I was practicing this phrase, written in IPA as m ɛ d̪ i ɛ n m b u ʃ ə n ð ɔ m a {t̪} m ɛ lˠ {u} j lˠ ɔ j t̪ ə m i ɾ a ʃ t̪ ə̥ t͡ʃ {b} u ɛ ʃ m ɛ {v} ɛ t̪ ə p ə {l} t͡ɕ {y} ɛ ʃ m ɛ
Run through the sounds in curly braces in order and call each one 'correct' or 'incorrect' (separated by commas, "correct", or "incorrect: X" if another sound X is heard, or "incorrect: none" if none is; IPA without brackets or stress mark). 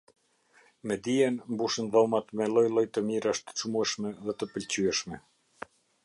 correct, incorrect: ɔ, incorrect: m, incorrect: ð, correct, correct